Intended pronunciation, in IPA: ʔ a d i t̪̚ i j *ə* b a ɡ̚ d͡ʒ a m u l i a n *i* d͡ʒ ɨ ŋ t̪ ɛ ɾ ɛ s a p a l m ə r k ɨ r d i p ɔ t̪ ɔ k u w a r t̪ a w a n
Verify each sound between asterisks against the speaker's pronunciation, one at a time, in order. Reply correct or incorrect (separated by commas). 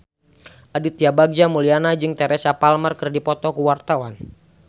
incorrect, incorrect